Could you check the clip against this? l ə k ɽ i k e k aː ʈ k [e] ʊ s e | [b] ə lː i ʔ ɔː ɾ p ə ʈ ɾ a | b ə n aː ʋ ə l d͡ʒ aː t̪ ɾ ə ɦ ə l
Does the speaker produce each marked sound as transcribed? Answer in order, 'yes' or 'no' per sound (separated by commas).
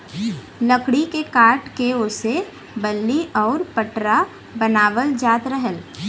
yes, yes